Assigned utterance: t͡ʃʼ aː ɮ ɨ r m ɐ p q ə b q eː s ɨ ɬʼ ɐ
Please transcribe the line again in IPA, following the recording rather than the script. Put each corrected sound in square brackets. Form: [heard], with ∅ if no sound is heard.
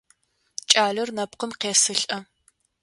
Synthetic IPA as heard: t͡ʃʼ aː ɮ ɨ r [n] ɐ p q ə [m] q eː s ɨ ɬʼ ɐ

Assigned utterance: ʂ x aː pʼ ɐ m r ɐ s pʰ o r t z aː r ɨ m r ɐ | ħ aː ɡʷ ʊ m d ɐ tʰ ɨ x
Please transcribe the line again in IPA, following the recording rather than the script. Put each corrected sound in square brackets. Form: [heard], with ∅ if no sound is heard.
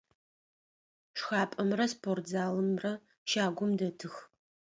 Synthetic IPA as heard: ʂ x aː pʼ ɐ m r ɐ s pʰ o r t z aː [l] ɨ m r ɐ | [ʃ] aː ɡʷ ʊ m d ɐ tʰ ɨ x

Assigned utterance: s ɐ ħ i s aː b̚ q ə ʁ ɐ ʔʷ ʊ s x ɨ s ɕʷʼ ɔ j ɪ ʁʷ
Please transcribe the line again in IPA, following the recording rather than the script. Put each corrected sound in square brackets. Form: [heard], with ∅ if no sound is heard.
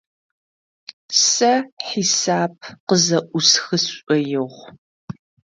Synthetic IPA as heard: s ɐ ħ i s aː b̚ q ə [z] ɐ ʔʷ ʊ s x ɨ s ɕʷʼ ɔ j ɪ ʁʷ

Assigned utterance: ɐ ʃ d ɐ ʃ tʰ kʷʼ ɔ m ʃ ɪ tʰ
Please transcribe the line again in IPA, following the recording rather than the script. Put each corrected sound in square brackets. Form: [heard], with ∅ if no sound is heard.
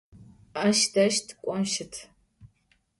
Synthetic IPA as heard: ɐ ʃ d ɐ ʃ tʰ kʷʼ ɔ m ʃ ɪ tʰ

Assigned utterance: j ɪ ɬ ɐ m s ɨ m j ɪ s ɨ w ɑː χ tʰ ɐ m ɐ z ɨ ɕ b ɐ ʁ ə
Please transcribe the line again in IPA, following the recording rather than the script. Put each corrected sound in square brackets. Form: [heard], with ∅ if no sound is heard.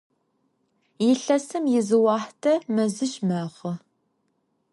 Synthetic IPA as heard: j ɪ ɬ ɐ [∅] s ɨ m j ɪ [z] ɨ w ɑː [ħ] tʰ ɐ m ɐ z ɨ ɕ [m] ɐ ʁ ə

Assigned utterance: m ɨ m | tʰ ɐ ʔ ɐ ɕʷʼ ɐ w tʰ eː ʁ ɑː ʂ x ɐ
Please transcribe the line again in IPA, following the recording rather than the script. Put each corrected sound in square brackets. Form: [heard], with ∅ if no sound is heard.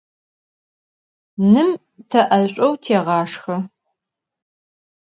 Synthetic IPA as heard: [n] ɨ m | tʰ ɐ ʔ ɐ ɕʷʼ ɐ w tʰ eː ʁ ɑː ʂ x ɐ

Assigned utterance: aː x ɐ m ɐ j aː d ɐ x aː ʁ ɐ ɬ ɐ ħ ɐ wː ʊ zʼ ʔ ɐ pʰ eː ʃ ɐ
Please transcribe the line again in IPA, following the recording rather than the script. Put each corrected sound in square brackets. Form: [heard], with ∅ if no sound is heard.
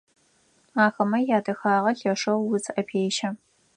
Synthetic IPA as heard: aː x ɐ m ɐ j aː d ɐ x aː ʁ ɐ ɬ ɐ [ʂ] ɐ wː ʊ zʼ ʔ ɐ pʰ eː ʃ ɐ

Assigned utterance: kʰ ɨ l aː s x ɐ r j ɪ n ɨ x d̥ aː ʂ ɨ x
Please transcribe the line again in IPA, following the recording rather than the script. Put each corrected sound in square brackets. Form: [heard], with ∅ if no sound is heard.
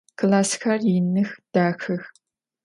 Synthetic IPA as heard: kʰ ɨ l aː s x ɐ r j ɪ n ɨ x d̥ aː [x] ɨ x

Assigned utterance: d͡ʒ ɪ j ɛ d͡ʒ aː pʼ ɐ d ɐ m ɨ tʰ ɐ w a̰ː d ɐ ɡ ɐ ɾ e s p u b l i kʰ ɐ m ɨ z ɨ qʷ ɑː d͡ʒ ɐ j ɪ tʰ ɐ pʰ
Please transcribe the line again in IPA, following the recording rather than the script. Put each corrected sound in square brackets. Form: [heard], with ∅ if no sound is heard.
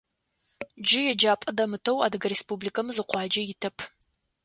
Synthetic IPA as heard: d͡ʒ ɪ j ɛ d͡ʒ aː pʼ ɐ d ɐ m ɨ tʰ ɐ w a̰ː d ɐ ɡ ɐ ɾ e s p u b l i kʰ ɐ m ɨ z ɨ qʷ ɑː d͡ʒ ɐ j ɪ tʰ ɐ pʰ

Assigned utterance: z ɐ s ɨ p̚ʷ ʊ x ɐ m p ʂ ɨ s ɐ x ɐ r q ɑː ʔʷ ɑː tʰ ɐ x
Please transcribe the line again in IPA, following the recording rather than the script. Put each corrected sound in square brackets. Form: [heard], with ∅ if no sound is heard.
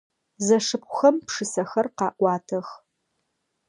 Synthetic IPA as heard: z ɐ [ʂ] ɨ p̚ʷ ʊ x ɐ m p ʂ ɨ s ɐ x ɐ r q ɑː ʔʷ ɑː tʰ ɐ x

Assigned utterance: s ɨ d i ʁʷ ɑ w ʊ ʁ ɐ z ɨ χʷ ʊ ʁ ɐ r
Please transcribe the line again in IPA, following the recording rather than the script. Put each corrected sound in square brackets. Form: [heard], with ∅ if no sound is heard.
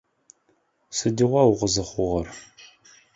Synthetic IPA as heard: s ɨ d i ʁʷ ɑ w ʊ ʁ [ə] z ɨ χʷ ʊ ʁ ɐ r

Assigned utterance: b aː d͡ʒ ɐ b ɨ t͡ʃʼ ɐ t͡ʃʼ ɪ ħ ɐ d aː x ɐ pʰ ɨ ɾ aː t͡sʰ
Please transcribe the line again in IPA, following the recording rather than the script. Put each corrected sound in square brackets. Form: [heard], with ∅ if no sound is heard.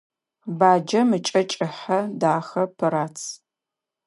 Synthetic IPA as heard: b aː d͡ʒ ɐ [m] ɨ t͡ʃʼ ɐ t͡ʃʼ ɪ ħ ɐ d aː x ɐ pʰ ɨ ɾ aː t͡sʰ

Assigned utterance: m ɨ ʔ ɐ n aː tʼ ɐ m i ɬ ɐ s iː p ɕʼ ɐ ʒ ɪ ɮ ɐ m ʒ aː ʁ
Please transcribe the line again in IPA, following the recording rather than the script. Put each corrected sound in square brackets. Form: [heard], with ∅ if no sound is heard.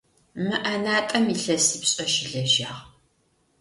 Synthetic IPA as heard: m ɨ ʔ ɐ n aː tʼ ɐ m i ɬ ɐ s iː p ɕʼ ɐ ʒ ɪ ɮ ɐ [∅] ʒ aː ʁ

